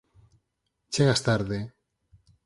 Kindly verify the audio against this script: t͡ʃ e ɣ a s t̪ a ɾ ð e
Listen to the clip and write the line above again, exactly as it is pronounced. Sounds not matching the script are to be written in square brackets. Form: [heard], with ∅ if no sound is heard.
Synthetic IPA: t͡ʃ e ɣ a s t̪ a ɾ ð e